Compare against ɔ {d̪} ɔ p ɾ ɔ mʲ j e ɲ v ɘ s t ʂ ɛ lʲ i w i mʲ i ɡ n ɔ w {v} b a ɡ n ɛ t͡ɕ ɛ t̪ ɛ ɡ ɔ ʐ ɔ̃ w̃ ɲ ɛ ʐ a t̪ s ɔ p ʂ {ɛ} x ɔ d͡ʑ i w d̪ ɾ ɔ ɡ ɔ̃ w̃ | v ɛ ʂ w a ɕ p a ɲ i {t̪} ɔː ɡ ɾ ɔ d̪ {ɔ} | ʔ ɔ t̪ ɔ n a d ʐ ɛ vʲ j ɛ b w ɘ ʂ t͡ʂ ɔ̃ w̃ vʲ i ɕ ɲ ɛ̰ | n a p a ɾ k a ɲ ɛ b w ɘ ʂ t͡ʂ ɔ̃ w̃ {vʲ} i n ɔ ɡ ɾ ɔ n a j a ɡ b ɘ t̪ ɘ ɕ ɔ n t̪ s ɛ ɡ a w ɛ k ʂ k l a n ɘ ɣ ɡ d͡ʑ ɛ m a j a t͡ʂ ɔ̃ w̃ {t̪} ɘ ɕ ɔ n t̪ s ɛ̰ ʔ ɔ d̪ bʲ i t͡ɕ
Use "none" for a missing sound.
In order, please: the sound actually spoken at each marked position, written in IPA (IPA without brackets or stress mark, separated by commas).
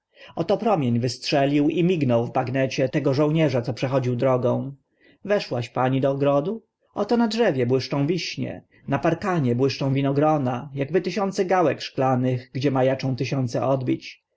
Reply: t̪, v, ɛ, d̪, u, vʲ, t̪